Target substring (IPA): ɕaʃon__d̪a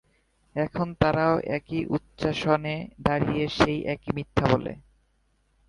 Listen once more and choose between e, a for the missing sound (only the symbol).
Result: e